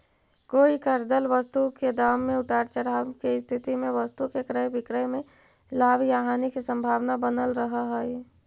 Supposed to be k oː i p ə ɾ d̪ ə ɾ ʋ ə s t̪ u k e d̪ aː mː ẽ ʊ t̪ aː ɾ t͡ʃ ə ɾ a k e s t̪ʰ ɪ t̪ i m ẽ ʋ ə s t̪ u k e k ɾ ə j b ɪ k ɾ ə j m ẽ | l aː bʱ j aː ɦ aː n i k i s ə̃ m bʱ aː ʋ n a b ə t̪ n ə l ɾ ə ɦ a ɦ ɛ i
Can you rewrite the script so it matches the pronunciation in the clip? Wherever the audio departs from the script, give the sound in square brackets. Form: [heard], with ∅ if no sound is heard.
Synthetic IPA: k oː i [k] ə ɾ d̪ ə [l] ʋ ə s t̪ u k e d̪ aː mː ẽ ʊ t̪ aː ɾ t͡ʃ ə ɾ a k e s t̪ʰ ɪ t̪ i m ẽ ʋ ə s t̪ u k e k ɾ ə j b ɪ k ɾ ə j m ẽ | l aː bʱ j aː ɦ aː n i k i s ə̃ m bʱ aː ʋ n a b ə [∅] n ə l ɾ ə ɦ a ɦ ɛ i